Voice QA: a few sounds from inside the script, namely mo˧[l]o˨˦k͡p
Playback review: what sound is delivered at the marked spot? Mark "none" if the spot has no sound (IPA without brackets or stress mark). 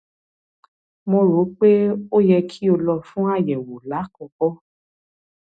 ɾ